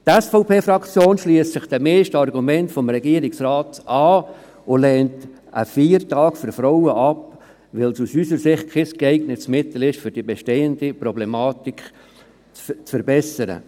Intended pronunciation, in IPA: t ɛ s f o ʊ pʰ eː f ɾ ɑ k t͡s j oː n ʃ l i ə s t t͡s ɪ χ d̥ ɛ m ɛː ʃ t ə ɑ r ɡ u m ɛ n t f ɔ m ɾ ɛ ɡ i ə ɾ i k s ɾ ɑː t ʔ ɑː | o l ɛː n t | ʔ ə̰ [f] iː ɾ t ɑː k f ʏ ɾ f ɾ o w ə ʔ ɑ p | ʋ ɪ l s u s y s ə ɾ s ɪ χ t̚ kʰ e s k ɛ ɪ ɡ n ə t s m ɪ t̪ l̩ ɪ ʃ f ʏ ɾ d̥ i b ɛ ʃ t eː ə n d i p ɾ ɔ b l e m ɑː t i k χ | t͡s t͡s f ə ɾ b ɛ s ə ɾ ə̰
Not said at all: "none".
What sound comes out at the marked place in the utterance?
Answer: f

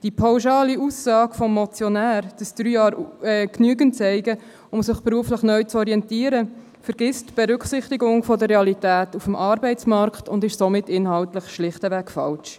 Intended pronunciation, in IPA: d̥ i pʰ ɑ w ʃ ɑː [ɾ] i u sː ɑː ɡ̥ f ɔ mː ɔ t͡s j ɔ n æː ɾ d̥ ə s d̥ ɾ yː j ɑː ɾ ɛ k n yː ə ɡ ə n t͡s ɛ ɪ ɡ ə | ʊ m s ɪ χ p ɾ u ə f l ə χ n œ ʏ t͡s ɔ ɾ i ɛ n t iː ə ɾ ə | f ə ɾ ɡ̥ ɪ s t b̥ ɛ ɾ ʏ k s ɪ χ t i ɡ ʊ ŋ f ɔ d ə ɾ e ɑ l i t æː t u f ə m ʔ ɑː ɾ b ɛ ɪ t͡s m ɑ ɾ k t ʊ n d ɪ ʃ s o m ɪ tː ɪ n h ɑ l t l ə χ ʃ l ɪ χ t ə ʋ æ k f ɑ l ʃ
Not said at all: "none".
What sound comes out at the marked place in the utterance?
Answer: l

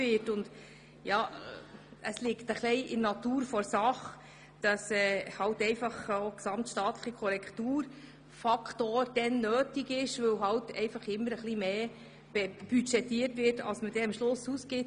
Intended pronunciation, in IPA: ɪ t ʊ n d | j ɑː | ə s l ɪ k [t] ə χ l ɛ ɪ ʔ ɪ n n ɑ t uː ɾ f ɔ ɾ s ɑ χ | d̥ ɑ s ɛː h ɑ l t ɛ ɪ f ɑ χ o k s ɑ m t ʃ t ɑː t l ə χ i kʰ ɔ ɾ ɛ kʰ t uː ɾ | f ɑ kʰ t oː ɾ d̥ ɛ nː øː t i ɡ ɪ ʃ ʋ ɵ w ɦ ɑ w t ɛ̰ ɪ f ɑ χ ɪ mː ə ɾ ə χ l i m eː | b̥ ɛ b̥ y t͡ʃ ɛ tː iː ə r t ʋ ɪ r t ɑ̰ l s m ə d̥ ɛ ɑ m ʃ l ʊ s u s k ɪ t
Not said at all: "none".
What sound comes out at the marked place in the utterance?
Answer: t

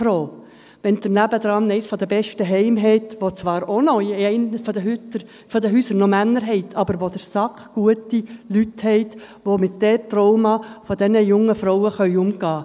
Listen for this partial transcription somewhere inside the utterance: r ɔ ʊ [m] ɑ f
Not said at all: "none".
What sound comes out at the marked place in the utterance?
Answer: m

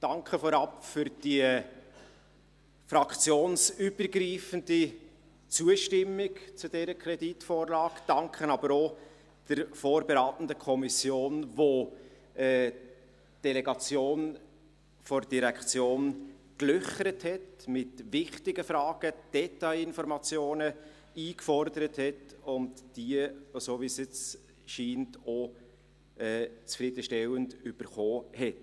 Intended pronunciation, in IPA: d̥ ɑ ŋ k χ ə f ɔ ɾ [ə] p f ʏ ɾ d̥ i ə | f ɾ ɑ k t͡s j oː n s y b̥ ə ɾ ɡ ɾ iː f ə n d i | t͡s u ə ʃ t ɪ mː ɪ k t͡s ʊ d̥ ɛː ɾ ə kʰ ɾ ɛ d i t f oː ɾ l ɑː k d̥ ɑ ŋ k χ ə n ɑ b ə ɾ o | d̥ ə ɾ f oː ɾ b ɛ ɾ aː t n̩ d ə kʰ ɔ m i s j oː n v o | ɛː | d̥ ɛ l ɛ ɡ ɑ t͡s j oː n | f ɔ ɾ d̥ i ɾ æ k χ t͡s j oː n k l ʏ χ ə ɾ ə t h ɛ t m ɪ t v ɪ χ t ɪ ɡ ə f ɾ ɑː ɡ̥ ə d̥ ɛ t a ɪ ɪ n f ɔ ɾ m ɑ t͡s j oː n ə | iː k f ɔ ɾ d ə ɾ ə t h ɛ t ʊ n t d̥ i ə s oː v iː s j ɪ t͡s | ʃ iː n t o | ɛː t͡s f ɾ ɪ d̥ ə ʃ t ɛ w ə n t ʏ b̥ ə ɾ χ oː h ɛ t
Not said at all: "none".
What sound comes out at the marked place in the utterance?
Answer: ɑ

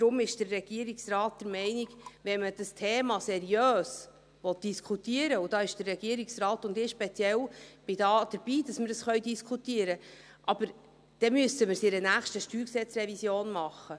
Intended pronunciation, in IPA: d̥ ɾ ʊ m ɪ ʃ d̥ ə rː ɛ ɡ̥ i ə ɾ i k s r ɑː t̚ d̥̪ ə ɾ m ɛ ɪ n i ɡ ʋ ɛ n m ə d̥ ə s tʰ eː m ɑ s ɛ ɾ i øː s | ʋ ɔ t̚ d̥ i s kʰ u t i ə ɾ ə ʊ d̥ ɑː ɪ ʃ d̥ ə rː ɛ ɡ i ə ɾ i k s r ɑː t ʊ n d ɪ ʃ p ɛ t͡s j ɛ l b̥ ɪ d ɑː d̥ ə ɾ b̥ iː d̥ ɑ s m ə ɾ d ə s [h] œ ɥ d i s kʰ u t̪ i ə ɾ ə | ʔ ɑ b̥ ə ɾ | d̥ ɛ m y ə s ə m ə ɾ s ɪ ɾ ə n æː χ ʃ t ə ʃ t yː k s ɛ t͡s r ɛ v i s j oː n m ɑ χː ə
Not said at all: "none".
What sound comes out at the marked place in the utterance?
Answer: χ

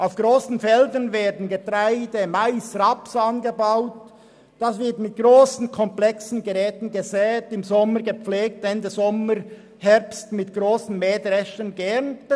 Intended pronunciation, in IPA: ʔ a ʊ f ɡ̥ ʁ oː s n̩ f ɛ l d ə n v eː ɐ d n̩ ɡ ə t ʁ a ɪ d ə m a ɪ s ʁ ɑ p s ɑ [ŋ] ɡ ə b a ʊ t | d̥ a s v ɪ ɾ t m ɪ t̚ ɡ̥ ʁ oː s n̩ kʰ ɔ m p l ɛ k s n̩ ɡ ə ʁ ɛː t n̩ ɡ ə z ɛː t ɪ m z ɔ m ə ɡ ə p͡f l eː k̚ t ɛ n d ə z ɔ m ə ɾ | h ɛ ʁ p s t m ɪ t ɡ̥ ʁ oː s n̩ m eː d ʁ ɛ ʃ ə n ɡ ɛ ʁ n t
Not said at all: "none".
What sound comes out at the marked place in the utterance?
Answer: n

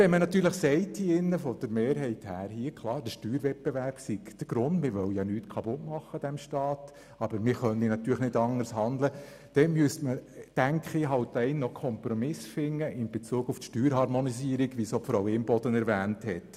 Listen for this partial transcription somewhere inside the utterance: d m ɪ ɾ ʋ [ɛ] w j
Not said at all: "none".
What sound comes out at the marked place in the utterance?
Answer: œ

